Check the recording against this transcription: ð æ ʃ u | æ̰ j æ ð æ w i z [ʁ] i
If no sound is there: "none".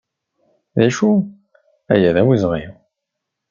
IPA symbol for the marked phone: ʁ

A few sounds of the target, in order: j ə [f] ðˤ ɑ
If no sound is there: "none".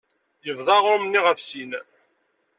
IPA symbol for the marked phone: v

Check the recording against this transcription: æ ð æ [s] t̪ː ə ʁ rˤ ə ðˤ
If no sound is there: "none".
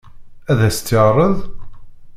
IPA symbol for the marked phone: s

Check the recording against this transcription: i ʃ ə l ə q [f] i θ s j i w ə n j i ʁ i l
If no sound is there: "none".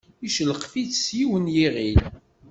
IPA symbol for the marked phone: f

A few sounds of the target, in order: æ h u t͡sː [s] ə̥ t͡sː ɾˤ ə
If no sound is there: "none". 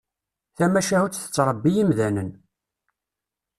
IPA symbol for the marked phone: θ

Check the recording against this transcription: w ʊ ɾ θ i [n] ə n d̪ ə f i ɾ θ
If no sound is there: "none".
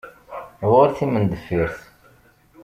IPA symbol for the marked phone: m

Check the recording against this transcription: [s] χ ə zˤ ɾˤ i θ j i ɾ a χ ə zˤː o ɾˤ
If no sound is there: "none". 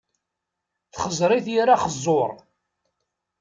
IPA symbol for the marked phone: θ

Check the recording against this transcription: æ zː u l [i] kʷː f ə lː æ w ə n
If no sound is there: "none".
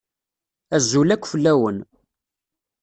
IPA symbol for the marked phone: æ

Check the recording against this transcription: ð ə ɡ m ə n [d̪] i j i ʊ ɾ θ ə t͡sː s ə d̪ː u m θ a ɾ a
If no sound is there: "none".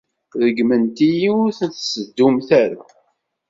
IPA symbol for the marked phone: t̪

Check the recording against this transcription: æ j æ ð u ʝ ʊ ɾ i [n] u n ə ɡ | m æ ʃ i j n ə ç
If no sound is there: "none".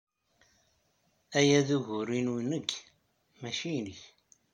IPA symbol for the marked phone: n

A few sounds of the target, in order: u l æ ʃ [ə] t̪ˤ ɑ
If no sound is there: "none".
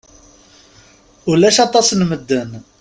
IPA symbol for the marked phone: ɑ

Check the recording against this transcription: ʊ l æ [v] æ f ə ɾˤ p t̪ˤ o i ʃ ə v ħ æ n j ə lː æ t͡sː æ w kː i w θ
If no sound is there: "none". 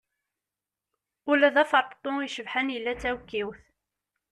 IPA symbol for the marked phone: ð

